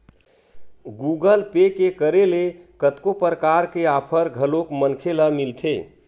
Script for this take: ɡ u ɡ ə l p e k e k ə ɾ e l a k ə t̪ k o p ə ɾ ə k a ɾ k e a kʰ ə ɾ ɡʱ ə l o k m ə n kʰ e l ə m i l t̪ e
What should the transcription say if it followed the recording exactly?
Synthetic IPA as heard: ɡ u ɡ ə l p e k e k ə ɾ e l e k ə t̪ k o p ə ɾ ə k a ɾ k e a pʰ ə ɾ ɡʱ ə l o k m ə n kʰ e l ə m i l t̪ʰ e